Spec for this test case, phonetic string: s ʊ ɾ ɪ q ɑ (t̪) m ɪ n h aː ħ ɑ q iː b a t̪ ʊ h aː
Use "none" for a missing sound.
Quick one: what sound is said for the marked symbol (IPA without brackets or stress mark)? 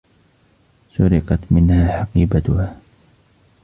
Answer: t̪